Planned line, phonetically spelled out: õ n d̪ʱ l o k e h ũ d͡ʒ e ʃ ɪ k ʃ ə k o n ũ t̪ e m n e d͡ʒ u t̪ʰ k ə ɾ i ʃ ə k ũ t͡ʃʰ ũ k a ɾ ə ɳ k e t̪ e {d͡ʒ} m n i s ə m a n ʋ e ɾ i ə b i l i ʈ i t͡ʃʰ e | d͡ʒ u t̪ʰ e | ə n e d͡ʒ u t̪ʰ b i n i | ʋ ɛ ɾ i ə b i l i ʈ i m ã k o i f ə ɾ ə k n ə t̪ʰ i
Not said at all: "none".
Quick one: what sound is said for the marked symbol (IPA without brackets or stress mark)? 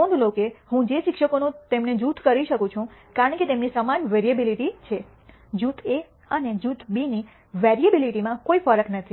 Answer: none